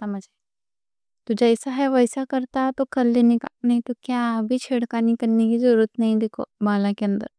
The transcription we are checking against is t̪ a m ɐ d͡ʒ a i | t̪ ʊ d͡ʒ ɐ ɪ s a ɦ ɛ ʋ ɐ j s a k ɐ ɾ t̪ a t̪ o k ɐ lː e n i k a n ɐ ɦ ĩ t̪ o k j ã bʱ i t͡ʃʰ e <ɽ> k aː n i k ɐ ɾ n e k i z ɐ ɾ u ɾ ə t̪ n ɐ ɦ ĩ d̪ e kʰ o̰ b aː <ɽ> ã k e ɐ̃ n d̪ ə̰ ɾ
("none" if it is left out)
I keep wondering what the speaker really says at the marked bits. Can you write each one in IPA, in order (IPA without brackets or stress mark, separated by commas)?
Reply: ɽ, l